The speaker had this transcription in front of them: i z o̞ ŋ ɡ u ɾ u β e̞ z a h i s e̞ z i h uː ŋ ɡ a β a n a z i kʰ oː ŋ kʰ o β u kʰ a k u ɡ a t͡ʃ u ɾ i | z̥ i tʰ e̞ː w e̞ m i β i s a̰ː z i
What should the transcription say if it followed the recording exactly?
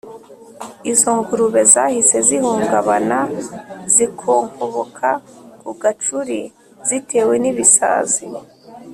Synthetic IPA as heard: i z o̞ ŋ ɡ u ɾ u β e̞ z a h i s e̞ z i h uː ŋ ɡ a β a n a z i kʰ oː ŋ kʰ o β o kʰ a k u ɡ a t͡ʃ u ɾ i | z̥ i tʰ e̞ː w e̞ n i β i s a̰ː z i

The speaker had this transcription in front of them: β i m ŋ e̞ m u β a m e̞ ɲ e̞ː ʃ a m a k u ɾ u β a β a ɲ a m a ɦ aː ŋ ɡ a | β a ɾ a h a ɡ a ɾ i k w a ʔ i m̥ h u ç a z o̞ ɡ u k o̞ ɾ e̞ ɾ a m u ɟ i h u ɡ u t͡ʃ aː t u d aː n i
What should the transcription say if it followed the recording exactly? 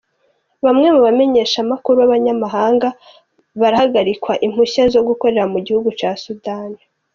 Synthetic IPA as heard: β a m ŋ e̞ m u β a m e̞ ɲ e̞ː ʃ a m a k u ɾ u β a β a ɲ a m a ɦ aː ŋ ɡ a | β a ɾ a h a ɡ a ɾ i k w a ʔ i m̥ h u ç a z o̞ ɡ u k o̞ ɾ e̞ ɾ a m u ɟ i h u ɡ u t͡ʃ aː s u d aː n i

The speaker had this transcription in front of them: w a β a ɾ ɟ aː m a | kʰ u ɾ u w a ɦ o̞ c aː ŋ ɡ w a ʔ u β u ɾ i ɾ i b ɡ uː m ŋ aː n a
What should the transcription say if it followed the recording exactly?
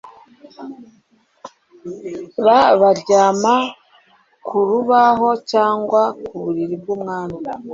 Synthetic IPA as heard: β a β a ɾ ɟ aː m a | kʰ u ɾ u β a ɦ o̞ c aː ŋ ɡ w a k u β u ɾ i ɾ i b ɡ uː m ŋ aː n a

